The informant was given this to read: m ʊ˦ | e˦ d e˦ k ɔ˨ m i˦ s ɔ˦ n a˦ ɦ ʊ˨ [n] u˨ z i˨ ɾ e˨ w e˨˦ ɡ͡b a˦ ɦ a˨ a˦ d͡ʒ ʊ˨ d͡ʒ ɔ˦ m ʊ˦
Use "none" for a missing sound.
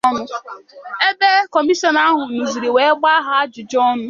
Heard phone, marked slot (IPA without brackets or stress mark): n